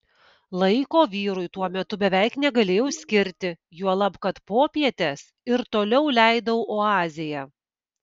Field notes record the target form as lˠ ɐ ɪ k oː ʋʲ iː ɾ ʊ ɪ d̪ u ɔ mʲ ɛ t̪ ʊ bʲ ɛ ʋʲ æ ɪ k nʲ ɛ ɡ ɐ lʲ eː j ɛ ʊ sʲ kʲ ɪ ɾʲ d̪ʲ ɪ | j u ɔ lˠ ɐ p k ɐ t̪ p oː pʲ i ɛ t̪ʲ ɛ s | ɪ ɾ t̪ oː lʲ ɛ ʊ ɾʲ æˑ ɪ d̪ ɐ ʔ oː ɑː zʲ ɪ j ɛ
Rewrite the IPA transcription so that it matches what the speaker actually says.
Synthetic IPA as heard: lˠ ɐ ɪ k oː ʋʲ iː ɾ ʊ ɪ t̪ u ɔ mʲ ɛ t̪ ʊ bʲ ɛ ʋʲ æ ɪ k nʲ ɛ ɡ ɐ lʲ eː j ɛ ʊ sʲ kʲ ɪ ɾʲ t̪ʲ ɪ | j u ɔ lˠ ɐ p k ɐ t̪ p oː pʲ i ɛ t̪ʲ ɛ s | ɪ ɾ t̪ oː lʲ ɛ ʊ lʲ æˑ ɪ d̪ ɐ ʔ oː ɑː zʲ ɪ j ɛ